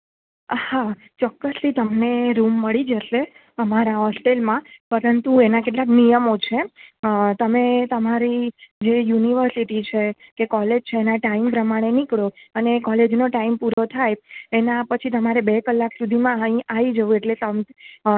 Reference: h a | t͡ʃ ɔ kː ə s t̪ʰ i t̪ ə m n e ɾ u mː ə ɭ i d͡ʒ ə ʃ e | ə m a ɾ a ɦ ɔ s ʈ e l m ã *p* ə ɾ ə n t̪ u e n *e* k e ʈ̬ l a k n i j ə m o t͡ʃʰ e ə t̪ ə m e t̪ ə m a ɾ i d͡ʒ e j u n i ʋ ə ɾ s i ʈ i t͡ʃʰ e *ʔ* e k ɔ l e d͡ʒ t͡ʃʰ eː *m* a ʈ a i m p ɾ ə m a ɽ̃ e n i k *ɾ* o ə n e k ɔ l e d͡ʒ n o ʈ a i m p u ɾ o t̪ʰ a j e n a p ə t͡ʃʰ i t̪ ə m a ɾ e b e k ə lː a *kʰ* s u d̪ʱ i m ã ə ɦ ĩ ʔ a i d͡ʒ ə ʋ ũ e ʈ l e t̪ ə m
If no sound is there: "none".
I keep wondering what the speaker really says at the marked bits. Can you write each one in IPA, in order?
p, a, k, n, ɭ, k

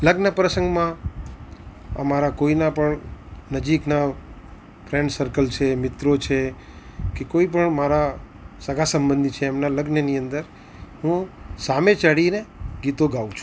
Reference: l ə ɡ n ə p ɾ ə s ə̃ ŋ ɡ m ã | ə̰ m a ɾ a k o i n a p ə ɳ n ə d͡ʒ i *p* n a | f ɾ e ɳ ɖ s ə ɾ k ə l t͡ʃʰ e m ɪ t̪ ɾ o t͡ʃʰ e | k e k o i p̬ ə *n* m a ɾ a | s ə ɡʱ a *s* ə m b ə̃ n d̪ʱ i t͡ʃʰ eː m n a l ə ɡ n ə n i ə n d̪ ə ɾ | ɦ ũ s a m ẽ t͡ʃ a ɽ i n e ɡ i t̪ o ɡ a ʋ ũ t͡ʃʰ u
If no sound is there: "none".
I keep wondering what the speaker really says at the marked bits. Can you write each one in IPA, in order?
k, ɳ, s

